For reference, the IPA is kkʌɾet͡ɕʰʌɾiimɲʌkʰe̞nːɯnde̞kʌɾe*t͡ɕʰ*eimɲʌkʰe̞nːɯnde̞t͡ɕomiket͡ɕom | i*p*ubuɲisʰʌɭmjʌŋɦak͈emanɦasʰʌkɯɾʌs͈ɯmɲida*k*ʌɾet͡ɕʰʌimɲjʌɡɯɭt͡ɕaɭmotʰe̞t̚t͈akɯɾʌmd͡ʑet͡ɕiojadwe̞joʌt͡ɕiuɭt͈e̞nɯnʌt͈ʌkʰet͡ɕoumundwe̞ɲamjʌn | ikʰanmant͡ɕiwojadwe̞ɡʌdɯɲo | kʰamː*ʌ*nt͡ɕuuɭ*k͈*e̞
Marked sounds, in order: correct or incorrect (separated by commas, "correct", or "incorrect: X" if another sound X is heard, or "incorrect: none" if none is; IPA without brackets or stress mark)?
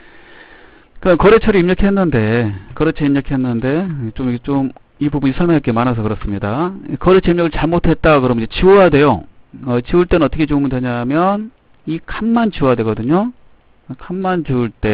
correct, incorrect: b, correct, incorrect: a, incorrect: t͈